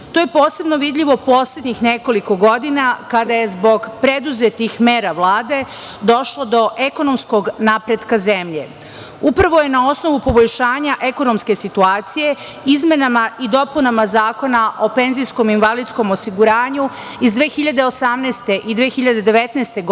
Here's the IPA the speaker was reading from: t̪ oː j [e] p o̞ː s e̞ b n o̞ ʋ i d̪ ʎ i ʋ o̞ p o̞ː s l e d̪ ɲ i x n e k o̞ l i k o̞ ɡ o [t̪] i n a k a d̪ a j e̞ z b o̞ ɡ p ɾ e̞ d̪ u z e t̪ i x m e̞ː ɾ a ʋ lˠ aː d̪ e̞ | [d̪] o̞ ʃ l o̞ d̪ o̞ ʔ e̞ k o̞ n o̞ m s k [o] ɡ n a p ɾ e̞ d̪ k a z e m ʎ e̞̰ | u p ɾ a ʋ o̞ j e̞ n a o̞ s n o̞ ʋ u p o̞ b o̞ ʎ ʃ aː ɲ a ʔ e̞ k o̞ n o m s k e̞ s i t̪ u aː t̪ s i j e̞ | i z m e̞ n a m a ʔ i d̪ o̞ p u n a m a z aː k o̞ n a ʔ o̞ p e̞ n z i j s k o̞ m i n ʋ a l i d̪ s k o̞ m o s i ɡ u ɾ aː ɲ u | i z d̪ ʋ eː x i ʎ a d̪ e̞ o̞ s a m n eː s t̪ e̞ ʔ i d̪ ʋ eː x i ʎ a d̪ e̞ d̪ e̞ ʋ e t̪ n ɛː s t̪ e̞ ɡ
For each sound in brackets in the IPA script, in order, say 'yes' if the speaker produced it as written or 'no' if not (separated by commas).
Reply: yes, no, yes, yes